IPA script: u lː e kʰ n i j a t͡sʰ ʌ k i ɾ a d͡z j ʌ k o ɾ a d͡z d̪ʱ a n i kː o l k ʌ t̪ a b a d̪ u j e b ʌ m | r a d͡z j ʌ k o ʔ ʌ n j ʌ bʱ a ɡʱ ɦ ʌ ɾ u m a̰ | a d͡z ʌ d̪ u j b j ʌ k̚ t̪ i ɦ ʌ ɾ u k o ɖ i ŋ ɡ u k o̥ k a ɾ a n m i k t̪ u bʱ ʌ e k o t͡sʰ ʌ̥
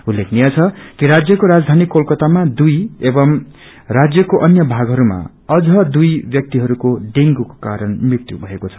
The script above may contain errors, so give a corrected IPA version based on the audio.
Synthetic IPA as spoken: u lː e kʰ n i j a t͡sʰ ʌ k i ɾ a d͡z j ʌ k o ɾ a d͡z d̪ʱ a n i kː o l k ʌ t̪ a m a d̪ u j e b ʌ m | r a d͡z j ʌ k o ʔ ʌ n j ʌ bʱ a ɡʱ ɦ ʌ ɾ u m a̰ | ʌ d͡z ʌ d̪ u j b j ʌ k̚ t̪ i ɦ ʌ ɾ u k o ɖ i ŋ ɡ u k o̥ k a ɾ ʌ n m i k t̪ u bʱ ʌ e k o t͡sʰ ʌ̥